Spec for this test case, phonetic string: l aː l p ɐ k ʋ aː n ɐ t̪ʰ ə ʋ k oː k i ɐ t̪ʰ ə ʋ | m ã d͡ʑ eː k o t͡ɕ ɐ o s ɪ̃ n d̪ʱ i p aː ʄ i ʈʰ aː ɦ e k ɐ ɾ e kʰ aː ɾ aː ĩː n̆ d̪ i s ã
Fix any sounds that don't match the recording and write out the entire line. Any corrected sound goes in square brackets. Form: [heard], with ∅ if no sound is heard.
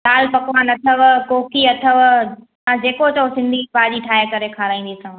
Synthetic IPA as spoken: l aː l p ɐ k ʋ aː n ɐ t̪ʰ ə ʋ k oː k i ɐ t̪ʰ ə ʋ | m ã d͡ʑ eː k o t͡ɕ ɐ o s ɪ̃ n d̪ʱ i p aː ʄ i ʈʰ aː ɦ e k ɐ ɾ e kʰ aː ɾ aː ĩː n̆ d̪ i s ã